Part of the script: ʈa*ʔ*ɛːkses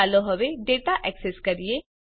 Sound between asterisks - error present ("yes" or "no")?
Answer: no